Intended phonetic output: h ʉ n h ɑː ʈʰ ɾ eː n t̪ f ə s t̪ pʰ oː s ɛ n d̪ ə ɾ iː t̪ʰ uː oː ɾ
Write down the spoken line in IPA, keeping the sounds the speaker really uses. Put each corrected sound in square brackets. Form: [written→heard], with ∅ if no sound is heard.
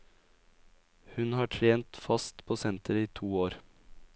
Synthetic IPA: h ʉ n h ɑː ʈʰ ɾ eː n t̪ f [ə→ɑ] s t̪ pʰ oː s ɛ n [d̪→t̪] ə ɾ iː t̪ʰ uː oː ɾ